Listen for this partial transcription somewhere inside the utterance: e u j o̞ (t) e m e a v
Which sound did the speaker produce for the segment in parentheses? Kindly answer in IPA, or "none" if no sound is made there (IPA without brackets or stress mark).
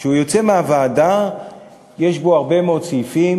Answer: t͡s